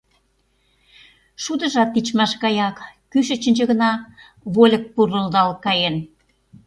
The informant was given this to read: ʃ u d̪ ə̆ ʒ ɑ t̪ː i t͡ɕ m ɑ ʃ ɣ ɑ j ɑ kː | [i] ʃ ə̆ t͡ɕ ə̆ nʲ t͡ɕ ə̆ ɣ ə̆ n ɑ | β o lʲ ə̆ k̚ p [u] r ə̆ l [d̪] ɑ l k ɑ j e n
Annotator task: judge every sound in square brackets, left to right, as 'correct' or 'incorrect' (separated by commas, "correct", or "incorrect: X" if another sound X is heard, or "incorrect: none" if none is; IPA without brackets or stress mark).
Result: incorrect: y, correct, correct